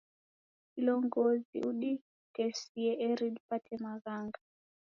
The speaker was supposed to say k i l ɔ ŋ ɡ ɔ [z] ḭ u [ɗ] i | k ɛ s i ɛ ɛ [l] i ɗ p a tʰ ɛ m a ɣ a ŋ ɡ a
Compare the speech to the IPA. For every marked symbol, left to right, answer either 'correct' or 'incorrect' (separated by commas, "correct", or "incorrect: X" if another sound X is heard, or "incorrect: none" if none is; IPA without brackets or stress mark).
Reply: correct, correct, incorrect: ɾ